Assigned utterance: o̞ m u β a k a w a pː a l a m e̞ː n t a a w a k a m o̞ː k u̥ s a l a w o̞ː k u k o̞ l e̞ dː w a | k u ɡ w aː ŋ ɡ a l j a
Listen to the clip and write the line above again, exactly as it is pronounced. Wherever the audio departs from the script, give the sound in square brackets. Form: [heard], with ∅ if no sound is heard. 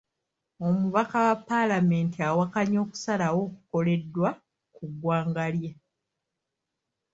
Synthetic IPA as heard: o̞ m u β a k a w a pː a l a m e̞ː n t [i] a w a k a [ɲ] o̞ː k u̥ s a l a w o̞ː k u k o̞ l e̞ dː w a | k u ɡ w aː ŋ ɡ a l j a